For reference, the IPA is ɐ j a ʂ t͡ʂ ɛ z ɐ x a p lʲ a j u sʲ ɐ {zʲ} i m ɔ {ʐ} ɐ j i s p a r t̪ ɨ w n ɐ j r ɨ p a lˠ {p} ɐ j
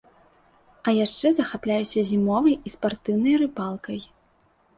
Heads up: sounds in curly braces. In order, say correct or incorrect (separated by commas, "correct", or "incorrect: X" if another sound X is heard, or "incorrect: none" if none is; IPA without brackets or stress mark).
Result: correct, incorrect: v, incorrect: k